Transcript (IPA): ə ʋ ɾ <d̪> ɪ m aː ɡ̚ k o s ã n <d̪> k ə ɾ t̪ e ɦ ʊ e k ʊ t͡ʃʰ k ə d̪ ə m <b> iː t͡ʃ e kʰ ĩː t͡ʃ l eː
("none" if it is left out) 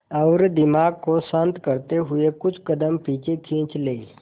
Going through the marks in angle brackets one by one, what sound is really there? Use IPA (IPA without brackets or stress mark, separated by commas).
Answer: d̪, t̪, p